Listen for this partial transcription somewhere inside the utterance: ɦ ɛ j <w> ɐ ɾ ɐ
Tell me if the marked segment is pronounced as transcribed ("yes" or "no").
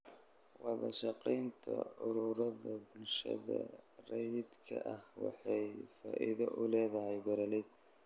no